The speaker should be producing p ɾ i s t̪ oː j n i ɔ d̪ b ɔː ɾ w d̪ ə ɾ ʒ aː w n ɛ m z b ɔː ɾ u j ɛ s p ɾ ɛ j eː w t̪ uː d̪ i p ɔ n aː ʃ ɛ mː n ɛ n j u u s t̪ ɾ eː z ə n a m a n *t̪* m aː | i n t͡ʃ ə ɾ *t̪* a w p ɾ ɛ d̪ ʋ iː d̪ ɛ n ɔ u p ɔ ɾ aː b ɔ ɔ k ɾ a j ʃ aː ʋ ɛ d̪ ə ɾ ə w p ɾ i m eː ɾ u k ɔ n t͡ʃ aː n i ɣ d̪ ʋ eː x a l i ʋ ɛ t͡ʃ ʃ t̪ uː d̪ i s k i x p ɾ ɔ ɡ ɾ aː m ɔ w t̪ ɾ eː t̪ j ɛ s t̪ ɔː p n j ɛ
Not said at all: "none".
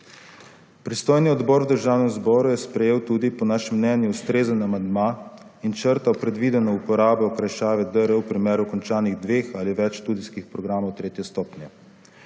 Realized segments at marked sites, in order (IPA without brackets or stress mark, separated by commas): d̪, t̪